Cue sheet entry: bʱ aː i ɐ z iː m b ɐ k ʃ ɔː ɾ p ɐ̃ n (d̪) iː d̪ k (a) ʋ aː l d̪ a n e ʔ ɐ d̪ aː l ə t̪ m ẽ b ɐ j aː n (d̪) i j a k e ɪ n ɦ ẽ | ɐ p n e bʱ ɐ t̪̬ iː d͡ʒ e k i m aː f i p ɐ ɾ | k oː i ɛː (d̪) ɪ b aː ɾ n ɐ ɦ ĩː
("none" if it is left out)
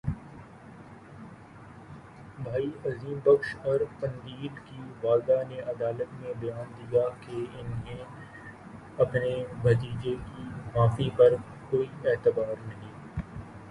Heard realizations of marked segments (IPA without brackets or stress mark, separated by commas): d̪, i, d̪, t̪